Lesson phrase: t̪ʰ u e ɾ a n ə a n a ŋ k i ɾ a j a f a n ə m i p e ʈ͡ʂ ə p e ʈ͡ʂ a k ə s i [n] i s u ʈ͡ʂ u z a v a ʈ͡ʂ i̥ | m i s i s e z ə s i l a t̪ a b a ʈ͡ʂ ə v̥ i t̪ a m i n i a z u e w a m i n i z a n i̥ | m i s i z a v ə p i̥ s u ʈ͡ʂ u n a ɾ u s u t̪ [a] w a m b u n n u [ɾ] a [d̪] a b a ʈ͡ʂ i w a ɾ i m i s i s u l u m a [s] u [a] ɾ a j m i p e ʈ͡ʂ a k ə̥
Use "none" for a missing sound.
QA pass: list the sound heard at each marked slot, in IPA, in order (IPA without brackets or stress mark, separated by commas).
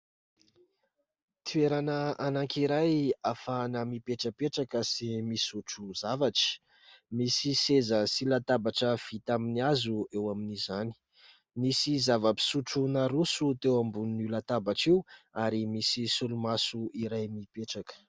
m, e, l, t̪, s, i